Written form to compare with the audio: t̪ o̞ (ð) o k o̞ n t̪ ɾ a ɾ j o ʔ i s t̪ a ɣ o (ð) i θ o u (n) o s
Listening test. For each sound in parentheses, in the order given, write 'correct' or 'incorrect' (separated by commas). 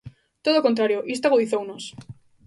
correct, correct, correct